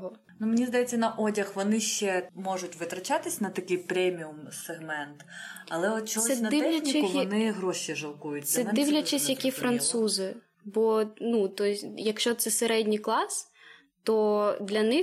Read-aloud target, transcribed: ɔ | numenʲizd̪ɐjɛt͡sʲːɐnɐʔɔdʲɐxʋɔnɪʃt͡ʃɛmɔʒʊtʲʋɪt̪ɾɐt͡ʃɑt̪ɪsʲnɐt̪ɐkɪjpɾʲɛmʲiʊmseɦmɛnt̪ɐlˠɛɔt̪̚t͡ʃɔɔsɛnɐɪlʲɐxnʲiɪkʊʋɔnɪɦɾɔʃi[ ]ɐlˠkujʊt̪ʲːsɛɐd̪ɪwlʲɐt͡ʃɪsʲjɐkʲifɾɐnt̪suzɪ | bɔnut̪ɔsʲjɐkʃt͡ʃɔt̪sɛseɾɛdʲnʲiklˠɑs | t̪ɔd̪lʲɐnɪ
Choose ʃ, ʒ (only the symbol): ʒ